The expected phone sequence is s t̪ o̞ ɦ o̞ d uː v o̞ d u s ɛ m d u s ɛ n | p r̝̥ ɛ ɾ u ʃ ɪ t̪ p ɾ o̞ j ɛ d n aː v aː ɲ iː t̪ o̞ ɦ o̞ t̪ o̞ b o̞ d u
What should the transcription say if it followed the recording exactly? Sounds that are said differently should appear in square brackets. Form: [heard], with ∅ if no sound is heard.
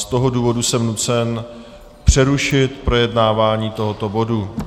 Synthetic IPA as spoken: s t̪ o̞ ɦ o̞ d uː v o̞ d u s ɛ m [n] u [t͡s] ɛ n | p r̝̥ ɛ ɾ u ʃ ɪ t̪ p ɾ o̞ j ɛ d n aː v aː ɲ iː t̪ o̞ ɦ o̞ t̪ o̞ b o̞ d u

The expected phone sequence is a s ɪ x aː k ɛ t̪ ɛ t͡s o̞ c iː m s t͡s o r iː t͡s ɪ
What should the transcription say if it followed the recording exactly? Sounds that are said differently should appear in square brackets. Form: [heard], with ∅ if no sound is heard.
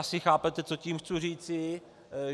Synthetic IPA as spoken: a s ɪ x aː [p] ɛ t̪ ɛ t͡s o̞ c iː m [x] t͡s [u] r iː t͡s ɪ

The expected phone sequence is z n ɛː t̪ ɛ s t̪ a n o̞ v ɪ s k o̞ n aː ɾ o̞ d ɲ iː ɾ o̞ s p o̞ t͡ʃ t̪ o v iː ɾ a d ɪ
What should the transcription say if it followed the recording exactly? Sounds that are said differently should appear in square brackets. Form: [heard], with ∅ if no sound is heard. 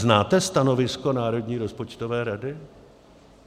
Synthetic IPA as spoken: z n [aː] t̪ ɛ s t̪ a n o̞ v ɪ s k o̞ n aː ɾ o̞ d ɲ iː ɾ o̞ s p o̞ t͡ʃ t̪ o v [ɛː] ɾ a d ɪ

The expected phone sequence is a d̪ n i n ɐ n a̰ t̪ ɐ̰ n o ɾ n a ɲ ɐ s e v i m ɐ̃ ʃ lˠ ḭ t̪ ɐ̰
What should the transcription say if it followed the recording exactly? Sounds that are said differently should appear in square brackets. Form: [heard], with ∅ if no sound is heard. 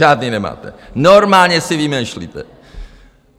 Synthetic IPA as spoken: a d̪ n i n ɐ [m] a̰ t̪ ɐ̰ n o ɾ [m] a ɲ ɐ s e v i m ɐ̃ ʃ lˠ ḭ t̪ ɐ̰

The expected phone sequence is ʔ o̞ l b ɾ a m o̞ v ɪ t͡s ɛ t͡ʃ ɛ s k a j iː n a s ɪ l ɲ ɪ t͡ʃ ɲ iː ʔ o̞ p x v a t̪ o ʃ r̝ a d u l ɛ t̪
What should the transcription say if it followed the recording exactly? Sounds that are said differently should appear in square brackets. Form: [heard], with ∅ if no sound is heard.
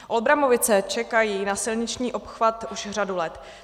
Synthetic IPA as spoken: ʔ o̞ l b ɾ a m o̞ v ɪ t͡s ɛ t͡ʃ ɛ [∅] k a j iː n a s ɪ l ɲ ɪ t͡ʃ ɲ iː ʔ o̞ p x v a t̪ [u] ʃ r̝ a d u l ɛ t̪

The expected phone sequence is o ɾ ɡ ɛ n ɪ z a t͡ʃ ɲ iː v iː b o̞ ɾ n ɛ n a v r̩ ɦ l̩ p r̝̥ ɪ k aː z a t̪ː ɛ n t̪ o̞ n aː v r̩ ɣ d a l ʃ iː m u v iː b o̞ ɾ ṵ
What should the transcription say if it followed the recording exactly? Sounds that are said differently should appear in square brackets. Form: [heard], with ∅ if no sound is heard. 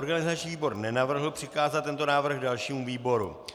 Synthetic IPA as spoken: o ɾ ɡ [a] n ɪ z a t͡ʃ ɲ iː v iː b o̞ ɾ n ɛ n a v r̩ ɦ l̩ p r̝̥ ɪ k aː z a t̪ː ɛ n t̪ o̞ n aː v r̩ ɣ d a l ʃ iː m u v iː b o̞ ɾ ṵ

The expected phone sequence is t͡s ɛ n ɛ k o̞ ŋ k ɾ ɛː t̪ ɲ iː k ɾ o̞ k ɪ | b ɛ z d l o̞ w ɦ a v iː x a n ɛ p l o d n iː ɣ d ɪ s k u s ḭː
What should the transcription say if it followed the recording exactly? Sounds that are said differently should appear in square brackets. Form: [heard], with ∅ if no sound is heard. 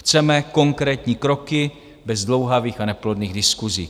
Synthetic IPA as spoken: t͡s ɛ [m] ɛ k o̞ ŋ k ɾ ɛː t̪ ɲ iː k ɾ o̞ k ɪ | b ɛ z d l o̞ w ɦ a v iː x a n ɛ p l o d n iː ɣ d ɪ s k u [z] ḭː

